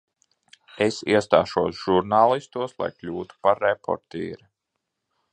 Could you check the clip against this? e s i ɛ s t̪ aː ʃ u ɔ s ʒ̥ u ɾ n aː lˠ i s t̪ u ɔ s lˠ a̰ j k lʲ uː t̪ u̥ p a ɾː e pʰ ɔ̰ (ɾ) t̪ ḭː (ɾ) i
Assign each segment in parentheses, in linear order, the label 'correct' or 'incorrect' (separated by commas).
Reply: correct, correct